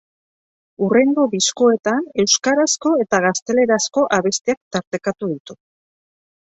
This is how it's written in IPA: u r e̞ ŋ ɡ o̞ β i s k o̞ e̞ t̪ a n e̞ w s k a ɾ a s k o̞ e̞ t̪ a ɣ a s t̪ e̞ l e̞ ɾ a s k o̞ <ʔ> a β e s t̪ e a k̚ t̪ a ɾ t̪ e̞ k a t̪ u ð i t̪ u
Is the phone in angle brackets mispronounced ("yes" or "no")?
no